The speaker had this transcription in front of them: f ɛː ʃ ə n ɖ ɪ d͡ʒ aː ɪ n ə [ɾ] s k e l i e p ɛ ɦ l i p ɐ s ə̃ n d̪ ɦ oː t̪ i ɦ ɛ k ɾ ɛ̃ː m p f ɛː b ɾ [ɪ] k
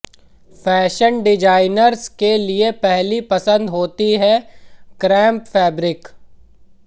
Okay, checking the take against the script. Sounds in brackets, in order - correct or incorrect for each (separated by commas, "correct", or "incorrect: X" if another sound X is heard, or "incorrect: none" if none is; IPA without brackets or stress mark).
correct, correct